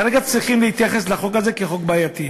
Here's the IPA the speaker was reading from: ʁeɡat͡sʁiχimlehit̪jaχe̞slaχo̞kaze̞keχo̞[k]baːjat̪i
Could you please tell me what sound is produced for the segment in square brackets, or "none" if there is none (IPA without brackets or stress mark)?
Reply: k